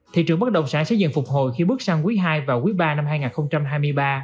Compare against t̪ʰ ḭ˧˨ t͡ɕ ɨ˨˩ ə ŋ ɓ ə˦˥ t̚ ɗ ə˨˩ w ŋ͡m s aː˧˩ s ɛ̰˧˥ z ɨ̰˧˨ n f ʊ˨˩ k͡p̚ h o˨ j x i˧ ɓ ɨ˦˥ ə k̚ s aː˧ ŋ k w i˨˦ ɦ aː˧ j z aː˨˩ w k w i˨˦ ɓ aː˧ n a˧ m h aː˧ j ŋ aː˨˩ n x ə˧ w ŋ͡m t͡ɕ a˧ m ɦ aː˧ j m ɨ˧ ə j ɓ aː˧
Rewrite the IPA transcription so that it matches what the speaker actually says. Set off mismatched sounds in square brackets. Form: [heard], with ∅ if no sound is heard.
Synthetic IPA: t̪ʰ ḭ˧˨ t͡ɕ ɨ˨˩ ə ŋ ɓ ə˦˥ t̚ ɗ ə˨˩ w ŋ͡m s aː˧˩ s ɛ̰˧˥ z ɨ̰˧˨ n f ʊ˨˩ k͡p̚ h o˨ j x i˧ ɓ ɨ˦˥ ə k̚ s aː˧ ŋ k w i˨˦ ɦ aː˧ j [v] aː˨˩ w k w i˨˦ ɓ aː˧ n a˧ m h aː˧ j ŋ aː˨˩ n x ə˧ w ŋ͡m t͡ɕ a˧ m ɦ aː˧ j m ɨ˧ ə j ɓ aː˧